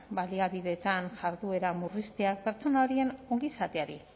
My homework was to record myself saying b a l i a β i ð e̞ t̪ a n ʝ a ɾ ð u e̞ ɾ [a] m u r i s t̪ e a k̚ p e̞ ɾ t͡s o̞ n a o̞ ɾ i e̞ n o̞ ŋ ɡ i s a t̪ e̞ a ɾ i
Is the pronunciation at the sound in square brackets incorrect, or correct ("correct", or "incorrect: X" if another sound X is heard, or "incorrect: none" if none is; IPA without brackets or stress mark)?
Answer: correct